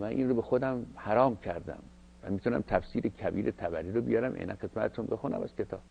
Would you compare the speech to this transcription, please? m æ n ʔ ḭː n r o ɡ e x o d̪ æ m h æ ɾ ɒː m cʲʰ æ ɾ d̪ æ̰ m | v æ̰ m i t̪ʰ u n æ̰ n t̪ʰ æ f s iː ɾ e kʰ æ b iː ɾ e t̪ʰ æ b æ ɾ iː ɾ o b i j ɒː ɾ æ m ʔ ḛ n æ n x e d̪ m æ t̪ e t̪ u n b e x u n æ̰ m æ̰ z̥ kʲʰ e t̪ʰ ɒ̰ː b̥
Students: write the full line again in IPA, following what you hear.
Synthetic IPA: m æ n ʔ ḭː n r o b e x o d̪ æ m h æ ɾ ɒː m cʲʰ æ ɾ d̪ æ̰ m | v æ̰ m i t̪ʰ u n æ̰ m t̪ʰ æ f s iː ɾ e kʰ æ b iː ɾ e t̪ʰ æ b æ ɾ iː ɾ o b i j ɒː ɾ æ m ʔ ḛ n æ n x e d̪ m æ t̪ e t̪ u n b e x u n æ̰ m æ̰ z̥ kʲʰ e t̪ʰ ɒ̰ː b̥